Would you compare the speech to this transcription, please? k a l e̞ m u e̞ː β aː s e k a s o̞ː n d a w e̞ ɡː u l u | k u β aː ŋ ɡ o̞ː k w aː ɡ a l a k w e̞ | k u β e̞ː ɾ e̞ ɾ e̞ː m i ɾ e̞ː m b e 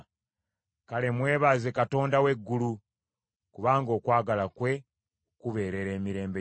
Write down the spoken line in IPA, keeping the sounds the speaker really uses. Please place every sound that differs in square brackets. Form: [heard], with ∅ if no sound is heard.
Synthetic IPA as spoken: k a l e̞ m [w] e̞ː β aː [z] e k a [t] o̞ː n d a w e̞ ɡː u l u | k u β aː ŋ ɡ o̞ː k w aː ɡ a l a k w e̞ | k u β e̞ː ɾ e̞ ɾ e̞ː m i ɾ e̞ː m b e

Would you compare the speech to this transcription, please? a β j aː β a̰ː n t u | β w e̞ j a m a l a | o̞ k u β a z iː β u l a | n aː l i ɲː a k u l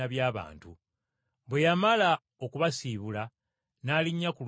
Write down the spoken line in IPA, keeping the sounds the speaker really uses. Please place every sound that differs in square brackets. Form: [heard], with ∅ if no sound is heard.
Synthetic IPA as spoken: a β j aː β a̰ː n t u | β w e̞ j a m a l a | o̞ k u β a [s] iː β u l a | n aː l i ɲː a k u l

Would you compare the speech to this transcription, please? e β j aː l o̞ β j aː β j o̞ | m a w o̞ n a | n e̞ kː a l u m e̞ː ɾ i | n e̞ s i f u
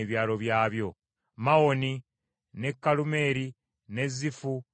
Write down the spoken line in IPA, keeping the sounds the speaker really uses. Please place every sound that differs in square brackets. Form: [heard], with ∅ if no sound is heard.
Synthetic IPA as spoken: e β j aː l o̞ β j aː β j o̞ | m a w o̞ n [i] | n e̞ kː a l u m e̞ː ɾ i | n e̞ [z] i f u

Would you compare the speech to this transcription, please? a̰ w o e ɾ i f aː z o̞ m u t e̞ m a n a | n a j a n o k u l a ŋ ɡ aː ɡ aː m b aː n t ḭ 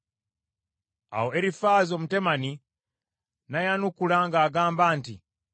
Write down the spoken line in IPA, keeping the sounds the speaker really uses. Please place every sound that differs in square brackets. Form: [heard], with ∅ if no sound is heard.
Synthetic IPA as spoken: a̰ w o e ɾ i f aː z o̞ m u t e̞ m a n [i] | n a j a n [u] k u l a ŋ ɡ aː ɡ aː m b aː n t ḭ

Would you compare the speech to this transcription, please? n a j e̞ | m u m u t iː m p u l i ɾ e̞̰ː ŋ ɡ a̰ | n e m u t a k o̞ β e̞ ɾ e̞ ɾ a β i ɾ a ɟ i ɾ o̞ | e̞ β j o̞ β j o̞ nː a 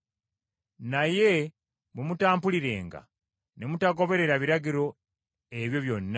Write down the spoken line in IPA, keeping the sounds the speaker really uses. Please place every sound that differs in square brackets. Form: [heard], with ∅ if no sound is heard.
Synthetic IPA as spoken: n a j e̞ | m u m u t [aː] m p u l i ɾ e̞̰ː ŋ ɡ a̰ | n e m u t a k o̞ β e̞ ɾ e̞ ɾ a β i ɾ a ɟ i ɾ o̞ | e̞ β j o̞ β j o̞ nː a

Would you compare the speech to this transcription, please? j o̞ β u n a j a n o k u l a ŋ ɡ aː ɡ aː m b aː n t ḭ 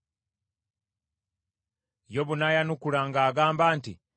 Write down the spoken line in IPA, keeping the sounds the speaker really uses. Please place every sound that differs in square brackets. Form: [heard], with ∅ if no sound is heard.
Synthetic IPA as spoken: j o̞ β u n a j a n [u] k u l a ŋ ɡ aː ɡ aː m b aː n t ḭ

